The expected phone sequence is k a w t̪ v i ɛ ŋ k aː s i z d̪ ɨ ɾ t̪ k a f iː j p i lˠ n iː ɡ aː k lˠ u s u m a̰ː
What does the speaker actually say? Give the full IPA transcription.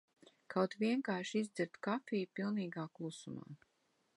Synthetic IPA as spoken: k a w t̪ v i ɛ ŋ k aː ʃ i z d̪ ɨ ɾ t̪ k a f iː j p i lˠ n iː ɡ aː k lˠ u s u m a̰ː